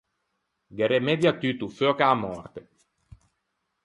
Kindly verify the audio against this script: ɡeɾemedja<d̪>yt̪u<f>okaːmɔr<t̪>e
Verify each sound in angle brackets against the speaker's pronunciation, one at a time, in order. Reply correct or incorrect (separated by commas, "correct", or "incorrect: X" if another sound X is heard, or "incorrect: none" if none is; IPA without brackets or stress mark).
incorrect: t̪, correct, correct